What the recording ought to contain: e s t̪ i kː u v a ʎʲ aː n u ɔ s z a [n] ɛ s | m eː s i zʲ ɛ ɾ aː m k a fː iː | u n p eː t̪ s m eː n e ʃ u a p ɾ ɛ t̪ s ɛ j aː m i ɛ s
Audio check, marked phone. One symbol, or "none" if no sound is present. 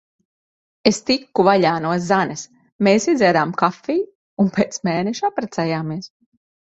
n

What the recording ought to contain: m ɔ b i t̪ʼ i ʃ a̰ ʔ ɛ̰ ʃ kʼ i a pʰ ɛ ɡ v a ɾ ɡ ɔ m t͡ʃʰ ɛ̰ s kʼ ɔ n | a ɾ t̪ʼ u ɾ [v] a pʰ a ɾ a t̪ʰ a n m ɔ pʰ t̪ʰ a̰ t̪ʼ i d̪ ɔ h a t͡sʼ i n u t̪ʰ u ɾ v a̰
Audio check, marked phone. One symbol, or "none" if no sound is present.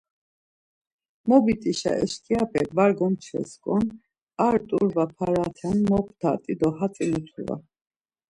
v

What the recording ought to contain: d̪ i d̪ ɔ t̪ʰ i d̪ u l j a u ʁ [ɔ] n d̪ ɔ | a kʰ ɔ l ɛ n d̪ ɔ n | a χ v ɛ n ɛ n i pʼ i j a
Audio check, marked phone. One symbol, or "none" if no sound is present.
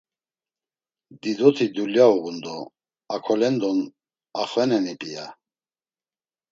u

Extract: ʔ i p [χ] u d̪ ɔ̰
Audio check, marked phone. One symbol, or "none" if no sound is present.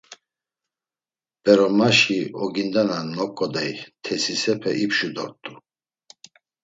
ʃ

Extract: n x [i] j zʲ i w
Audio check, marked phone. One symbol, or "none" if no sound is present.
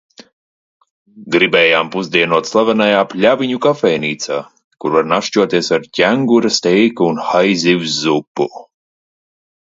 a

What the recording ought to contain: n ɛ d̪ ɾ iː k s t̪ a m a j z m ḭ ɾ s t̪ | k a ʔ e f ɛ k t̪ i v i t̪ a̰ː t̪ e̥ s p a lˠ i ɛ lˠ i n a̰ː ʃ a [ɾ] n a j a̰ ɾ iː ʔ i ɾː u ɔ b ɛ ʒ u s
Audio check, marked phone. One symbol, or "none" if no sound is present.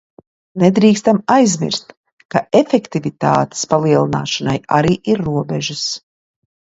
none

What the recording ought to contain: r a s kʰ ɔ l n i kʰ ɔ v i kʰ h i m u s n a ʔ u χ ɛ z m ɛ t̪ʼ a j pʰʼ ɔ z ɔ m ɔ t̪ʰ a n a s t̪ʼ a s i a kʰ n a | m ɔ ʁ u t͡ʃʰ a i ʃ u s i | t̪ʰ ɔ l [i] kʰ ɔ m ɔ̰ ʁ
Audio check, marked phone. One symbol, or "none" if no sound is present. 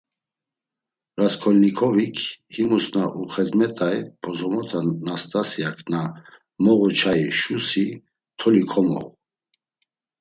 i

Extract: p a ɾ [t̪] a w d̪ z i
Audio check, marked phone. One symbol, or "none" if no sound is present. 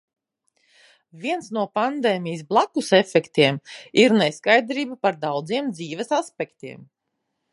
d̪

